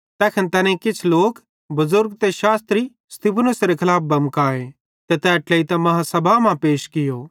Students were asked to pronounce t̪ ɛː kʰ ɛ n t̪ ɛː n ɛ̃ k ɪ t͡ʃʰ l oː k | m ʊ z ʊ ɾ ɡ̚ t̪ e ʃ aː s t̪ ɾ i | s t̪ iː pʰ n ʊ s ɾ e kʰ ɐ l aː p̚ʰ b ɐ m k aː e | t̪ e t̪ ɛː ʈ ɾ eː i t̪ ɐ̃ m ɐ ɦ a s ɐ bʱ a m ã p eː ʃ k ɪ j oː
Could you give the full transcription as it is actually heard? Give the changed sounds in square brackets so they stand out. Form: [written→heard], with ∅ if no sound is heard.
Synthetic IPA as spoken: t̪ ɛː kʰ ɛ n t̪ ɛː n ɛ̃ k ɪ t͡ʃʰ l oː k | [m→b] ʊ z ʊ ɾ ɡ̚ t̪ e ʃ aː s t̪ ɾ i | s t̪ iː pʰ n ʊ s ɾ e kʰ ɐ l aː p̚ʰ b ɐ m k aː e | t̪ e t̪ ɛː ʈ [ɾ→l] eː i t̪ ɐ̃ m ɐ ɦ a s ɐ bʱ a m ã p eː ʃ k ɪ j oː